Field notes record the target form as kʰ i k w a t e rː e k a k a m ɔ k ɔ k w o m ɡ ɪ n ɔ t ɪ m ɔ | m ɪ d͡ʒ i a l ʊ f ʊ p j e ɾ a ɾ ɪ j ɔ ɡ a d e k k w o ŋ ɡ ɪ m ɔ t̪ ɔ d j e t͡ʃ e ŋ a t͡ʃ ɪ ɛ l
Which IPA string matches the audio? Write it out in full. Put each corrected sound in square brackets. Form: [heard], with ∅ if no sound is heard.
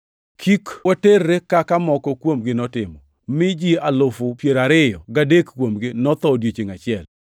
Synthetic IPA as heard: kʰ i k w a t e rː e k a k a m ɔ k ɔ k w o m ɡ ɪ n ɔ t ɪ m ɔ | m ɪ d͡ʒ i a l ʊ f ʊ p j e ɾ a ɾ ɪ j ɔ ɡ a d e k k w o [m] ɡ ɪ [n] ɔ t̪ ɔ d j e t͡ʃ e ŋ a t͡ʃ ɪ ɛ l